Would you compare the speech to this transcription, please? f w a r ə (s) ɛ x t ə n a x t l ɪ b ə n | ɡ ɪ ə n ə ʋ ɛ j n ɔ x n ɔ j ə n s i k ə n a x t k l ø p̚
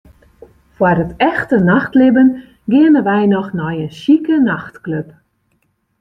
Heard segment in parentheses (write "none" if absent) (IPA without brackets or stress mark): t